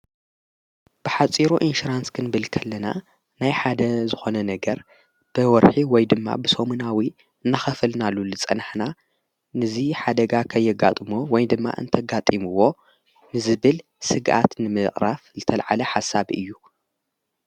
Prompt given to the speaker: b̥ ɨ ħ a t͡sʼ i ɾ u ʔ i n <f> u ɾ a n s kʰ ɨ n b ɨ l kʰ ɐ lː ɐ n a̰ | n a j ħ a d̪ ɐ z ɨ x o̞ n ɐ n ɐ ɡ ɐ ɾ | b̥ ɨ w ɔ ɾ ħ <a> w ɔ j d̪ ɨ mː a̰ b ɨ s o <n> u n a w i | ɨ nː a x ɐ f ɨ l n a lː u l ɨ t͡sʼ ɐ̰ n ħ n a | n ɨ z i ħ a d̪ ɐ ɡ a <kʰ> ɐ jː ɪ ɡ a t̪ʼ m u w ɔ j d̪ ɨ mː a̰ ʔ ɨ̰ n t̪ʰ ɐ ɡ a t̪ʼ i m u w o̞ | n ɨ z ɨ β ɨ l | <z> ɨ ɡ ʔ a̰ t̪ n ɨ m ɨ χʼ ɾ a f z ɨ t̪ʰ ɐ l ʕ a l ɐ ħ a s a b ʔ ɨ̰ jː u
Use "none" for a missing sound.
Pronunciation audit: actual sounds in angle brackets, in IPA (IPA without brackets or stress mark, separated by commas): ʃ, i, m, kʰ, s